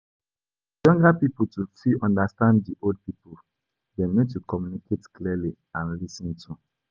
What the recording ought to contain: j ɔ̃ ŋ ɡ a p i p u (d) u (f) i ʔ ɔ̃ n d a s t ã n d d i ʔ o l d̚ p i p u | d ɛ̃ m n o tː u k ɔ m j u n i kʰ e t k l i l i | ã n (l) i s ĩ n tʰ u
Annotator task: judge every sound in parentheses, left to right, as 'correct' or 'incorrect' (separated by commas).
incorrect, correct, correct